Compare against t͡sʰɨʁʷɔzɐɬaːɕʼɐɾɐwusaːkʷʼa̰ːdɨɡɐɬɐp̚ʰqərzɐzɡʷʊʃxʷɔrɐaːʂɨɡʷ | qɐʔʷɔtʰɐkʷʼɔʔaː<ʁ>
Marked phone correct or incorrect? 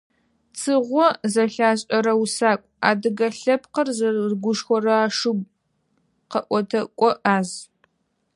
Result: incorrect